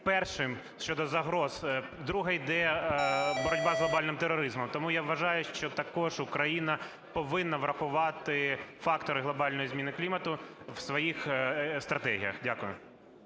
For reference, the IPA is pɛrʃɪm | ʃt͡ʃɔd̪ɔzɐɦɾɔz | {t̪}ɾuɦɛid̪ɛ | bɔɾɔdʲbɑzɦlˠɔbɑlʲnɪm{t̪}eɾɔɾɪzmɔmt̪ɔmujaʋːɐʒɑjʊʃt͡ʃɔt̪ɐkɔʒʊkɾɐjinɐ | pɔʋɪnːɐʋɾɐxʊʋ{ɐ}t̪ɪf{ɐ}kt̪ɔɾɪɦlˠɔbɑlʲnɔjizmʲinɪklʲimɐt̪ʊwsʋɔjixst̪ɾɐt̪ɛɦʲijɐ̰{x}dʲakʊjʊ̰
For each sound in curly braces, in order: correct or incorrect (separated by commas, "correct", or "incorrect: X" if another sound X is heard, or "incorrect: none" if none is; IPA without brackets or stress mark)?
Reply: incorrect: d̪, correct, incorrect: ɑ, incorrect: ɑ, correct